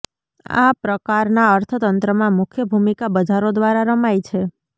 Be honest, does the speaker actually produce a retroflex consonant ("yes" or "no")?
no